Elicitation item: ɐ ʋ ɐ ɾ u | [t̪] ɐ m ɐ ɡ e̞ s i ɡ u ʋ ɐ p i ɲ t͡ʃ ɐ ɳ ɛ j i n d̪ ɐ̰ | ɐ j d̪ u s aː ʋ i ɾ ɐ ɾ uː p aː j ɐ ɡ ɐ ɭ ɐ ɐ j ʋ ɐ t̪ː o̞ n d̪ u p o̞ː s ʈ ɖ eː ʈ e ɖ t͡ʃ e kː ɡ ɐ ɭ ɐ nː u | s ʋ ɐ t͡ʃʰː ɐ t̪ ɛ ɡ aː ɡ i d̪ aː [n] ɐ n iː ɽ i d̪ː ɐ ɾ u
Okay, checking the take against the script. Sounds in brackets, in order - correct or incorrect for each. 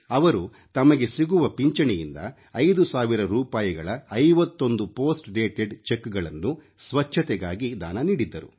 correct, correct

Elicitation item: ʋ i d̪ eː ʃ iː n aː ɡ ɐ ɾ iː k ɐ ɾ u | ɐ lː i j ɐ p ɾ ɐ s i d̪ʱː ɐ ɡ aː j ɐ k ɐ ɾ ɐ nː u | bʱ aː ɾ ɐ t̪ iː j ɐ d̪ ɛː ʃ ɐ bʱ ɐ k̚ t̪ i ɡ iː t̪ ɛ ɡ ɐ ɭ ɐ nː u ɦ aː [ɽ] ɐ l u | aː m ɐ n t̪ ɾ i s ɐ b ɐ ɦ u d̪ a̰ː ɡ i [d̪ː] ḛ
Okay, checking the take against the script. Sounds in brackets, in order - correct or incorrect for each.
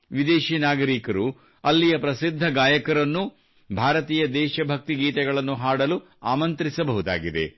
correct, incorrect: d̪

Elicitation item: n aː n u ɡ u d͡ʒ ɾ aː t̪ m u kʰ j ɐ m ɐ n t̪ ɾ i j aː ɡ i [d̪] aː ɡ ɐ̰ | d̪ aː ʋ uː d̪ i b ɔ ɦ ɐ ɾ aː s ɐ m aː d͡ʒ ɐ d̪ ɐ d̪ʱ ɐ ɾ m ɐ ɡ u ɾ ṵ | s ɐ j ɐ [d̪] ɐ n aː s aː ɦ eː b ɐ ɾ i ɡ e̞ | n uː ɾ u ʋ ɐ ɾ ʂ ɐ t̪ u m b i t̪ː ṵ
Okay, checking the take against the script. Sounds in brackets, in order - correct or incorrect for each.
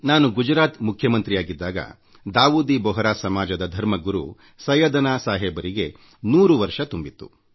incorrect: d̪ː, correct

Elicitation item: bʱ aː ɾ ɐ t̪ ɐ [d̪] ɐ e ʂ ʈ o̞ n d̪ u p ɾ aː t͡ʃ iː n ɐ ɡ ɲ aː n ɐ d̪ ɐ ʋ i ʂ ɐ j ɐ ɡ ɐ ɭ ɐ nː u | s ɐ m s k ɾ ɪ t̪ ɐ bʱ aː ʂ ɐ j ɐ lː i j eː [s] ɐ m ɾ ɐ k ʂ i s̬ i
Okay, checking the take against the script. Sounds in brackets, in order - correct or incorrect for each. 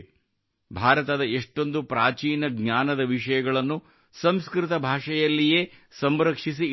correct, correct

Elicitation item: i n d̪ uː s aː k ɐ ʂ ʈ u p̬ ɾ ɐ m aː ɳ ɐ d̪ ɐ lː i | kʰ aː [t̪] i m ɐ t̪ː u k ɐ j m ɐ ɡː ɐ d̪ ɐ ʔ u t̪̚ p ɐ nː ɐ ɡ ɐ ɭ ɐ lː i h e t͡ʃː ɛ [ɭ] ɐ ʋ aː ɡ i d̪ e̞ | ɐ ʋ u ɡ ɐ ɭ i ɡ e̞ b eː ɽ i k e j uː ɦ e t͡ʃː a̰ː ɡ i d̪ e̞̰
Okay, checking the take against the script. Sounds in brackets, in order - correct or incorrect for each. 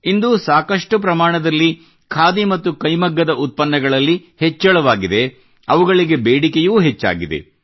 incorrect: d̪, correct

